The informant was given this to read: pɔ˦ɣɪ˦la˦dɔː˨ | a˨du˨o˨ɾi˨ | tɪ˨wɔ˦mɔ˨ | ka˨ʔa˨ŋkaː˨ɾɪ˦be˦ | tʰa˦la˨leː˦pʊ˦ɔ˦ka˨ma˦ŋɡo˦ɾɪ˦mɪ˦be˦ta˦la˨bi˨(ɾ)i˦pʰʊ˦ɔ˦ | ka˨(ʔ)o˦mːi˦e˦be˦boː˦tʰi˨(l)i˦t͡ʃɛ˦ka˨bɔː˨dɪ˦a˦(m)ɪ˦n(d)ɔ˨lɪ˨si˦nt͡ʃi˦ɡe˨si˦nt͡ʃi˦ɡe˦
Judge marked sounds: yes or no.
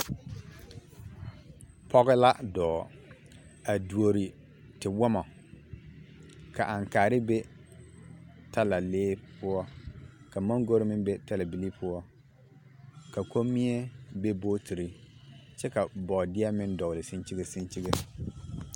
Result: no, no, no, yes, yes

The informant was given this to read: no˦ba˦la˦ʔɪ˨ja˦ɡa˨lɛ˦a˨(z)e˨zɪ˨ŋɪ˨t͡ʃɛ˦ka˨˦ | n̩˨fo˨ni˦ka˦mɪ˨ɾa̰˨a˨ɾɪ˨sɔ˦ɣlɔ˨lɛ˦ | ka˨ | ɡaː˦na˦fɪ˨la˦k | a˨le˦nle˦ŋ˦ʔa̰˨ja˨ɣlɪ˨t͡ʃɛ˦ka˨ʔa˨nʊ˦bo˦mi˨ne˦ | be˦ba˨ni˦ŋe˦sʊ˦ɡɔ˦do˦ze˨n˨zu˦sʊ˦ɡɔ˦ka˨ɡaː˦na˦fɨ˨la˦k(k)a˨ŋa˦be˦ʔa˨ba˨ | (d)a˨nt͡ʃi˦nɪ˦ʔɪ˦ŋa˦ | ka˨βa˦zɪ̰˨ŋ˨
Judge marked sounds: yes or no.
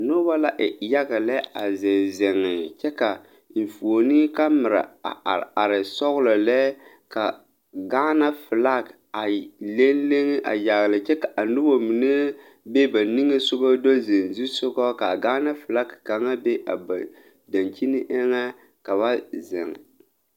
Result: yes, yes, yes

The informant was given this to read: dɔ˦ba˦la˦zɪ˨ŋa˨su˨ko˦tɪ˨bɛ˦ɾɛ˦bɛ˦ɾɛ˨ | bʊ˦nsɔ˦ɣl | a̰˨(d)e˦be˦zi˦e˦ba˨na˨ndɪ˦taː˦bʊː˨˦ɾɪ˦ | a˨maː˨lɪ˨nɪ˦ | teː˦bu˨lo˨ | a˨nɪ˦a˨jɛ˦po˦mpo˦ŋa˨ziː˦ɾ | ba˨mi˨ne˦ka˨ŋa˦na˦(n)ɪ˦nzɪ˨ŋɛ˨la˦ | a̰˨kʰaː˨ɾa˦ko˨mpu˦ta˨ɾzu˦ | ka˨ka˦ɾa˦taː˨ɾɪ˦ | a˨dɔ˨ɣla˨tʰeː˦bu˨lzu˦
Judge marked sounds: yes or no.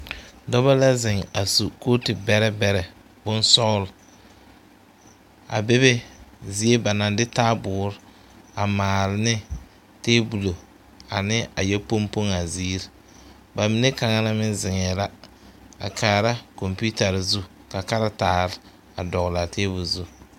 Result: no, no

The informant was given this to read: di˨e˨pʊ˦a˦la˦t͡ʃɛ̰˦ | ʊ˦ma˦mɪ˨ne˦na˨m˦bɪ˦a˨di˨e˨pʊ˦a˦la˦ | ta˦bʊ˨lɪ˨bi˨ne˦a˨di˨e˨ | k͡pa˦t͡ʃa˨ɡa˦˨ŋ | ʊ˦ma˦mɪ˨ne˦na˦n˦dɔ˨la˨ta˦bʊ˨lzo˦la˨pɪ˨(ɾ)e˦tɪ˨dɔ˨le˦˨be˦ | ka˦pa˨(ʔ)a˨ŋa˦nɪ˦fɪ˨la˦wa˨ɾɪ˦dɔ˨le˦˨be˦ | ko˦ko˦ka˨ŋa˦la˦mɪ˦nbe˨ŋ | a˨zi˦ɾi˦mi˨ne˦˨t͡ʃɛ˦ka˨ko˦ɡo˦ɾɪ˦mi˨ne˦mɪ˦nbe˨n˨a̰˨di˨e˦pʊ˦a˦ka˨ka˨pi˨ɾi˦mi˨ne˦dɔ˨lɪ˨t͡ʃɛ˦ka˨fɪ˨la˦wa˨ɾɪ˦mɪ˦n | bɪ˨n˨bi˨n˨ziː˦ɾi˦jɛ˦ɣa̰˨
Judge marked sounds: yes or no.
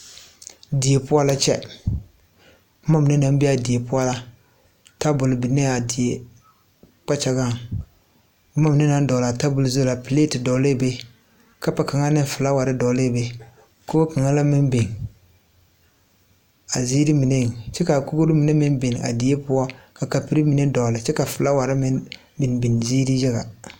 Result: no, no

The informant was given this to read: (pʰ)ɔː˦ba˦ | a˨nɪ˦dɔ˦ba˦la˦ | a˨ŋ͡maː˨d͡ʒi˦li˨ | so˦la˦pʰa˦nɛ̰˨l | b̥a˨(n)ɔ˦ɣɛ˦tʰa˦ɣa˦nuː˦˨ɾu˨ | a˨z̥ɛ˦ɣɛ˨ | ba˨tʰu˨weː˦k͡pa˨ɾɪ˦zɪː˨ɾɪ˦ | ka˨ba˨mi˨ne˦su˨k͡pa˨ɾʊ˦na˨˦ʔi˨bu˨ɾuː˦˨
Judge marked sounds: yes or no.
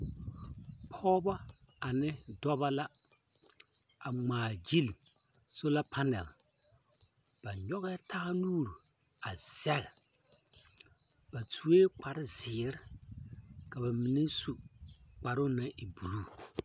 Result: yes, no

